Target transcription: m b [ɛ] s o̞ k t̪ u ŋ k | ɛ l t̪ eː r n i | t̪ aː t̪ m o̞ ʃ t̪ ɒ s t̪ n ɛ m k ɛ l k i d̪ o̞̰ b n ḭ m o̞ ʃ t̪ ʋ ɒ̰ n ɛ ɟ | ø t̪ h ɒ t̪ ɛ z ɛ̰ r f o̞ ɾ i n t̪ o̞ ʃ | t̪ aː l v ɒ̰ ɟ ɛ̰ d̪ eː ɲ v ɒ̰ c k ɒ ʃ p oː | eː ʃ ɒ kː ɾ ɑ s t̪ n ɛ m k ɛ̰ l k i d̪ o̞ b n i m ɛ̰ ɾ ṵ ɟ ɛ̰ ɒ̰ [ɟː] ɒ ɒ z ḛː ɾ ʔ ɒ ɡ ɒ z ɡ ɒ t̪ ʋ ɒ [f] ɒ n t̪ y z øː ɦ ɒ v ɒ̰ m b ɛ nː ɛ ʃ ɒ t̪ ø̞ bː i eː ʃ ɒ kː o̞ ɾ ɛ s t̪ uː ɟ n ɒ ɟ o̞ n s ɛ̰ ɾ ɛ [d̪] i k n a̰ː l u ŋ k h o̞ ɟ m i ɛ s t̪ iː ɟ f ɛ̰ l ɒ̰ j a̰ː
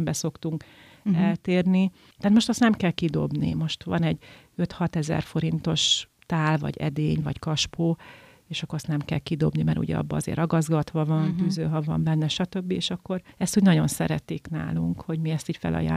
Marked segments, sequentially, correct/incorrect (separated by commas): correct, incorrect, incorrect, incorrect